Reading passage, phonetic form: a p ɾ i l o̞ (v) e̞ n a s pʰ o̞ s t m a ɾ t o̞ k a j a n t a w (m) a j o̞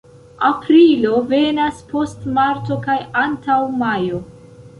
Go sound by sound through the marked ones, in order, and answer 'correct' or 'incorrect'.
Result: correct, correct

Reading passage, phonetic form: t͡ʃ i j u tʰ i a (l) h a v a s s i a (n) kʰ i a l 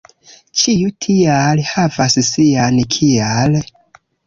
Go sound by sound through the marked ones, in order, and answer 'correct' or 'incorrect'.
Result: correct, correct

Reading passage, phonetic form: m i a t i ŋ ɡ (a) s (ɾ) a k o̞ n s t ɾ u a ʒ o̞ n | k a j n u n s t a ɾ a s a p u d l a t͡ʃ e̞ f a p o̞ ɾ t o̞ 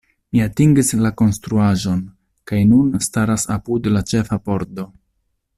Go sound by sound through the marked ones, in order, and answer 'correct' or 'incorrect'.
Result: incorrect: i, incorrect: l

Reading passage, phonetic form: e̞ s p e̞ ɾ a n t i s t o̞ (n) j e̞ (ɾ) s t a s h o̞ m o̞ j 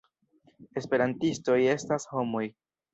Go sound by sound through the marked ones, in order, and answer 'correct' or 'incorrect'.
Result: incorrect: none, incorrect: none

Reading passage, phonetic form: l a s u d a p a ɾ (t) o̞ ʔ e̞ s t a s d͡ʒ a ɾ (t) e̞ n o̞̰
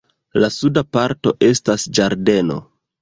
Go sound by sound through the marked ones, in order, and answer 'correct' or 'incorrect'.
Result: correct, incorrect: d

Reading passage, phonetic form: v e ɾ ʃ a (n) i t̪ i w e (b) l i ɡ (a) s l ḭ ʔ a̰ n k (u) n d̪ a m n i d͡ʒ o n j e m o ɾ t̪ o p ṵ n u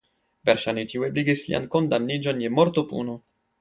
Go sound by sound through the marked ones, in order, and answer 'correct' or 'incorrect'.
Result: correct, correct, incorrect: i, incorrect: o

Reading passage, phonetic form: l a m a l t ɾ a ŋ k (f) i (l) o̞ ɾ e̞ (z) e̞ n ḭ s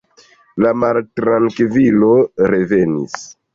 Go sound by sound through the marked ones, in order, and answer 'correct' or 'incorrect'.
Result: incorrect: v, correct, incorrect: v

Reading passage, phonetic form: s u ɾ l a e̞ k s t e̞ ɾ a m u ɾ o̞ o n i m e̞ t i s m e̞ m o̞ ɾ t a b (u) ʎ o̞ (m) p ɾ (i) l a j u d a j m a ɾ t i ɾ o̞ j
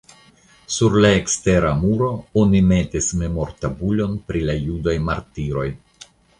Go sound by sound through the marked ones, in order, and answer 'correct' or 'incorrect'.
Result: correct, incorrect: n, correct

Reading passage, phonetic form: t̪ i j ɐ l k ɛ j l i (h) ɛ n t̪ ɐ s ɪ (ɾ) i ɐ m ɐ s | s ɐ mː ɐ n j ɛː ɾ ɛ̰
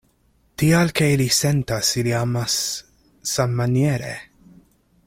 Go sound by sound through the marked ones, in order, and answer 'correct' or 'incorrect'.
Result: incorrect: s, incorrect: l

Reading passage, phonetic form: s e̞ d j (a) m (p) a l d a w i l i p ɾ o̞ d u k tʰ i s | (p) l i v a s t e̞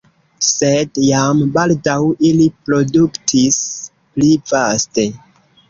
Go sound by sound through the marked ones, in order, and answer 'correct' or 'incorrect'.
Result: correct, incorrect: b, correct

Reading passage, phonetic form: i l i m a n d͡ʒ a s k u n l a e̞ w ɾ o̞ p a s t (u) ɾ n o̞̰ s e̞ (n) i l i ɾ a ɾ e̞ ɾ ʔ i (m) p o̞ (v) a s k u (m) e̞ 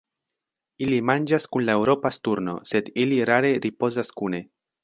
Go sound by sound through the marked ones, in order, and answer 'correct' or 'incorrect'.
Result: correct, incorrect: d, incorrect: none, incorrect: z, incorrect: n

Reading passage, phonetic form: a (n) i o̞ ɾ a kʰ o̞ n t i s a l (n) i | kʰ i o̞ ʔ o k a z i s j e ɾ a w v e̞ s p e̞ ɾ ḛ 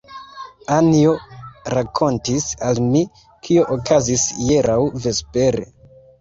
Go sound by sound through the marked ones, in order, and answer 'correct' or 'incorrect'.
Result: correct, incorrect: m

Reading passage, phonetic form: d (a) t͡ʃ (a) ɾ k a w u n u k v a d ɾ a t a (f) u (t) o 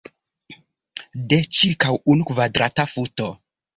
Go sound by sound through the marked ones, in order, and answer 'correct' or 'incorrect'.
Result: incorrect: e, incorrect: i, correct, correct

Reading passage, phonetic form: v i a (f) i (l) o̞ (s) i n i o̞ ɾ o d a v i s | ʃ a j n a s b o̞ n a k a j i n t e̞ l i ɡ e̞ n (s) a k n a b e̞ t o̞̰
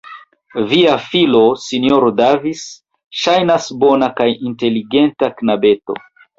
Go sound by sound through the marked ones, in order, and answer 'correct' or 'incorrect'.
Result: correct, correct, correct, incorrect: t

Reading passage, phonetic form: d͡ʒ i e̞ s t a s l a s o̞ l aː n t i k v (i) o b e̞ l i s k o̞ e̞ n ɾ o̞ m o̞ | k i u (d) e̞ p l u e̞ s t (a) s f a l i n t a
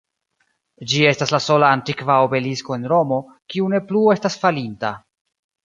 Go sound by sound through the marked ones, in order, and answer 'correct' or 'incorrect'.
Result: incorrect: a, incorrect: n, correct

